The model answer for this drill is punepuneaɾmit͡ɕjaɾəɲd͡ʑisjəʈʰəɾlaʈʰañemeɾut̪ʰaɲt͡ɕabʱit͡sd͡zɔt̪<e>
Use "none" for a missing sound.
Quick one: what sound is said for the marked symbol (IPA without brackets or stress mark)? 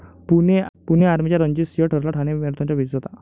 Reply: a